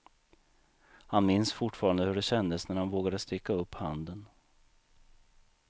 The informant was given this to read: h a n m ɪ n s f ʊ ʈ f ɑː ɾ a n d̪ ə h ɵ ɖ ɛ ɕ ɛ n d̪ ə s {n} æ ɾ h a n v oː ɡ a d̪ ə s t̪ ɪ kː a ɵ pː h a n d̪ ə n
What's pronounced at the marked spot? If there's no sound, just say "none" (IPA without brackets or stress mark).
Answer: n